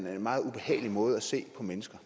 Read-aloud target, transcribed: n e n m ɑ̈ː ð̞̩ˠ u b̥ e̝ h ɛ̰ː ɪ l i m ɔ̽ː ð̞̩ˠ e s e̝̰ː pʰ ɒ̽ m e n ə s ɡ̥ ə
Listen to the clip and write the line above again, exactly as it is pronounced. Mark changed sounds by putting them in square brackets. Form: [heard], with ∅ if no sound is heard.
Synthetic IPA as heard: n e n m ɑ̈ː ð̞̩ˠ u b̥ e̝ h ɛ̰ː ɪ l i m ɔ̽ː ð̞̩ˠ [æ] s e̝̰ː pʰ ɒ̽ m e n ə s ɡ̥ [ɐ]